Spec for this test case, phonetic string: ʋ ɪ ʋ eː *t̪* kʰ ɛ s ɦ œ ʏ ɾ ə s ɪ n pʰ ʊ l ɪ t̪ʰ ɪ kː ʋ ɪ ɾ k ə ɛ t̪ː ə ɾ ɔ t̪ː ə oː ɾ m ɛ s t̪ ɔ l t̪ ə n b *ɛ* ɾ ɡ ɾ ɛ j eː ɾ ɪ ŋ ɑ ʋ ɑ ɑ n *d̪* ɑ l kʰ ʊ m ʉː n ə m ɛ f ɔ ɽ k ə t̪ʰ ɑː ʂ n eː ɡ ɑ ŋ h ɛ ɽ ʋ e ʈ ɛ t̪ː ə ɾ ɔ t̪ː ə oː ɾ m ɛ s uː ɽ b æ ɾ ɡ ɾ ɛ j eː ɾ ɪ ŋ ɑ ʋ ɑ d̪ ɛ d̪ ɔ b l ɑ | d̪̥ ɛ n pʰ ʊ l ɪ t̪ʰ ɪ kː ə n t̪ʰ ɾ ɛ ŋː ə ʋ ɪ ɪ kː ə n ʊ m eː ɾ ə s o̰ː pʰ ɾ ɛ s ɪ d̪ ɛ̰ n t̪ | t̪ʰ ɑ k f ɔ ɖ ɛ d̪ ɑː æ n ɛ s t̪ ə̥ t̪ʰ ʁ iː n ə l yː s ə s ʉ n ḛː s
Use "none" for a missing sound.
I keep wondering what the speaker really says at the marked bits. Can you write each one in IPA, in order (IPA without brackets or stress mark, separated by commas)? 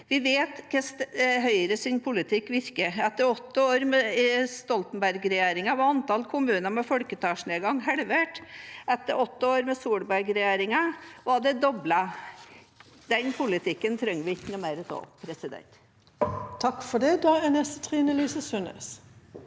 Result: t̪, æ, t̪